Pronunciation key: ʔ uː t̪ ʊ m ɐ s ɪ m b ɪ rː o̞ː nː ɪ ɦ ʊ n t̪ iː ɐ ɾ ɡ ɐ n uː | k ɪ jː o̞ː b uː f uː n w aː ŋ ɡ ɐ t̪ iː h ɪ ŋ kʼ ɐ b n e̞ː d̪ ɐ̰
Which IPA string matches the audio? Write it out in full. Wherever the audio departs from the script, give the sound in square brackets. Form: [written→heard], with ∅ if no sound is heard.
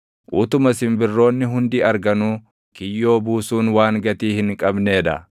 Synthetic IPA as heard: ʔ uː t̪ ʊ m ɐ s ɪ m b ɪ rː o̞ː nː ɪ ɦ ʊ n [t̪→d̪] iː ɐ ɾ ɡ ɐ n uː | k ɪ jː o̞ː b uː [f→s] uː n w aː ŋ ɡ ɐ t̪ iː h ɪ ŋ kʼ ɐ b n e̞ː d̪ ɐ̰